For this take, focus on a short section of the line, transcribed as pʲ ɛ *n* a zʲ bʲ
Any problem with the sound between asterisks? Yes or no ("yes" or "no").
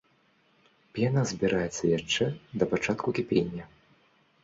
no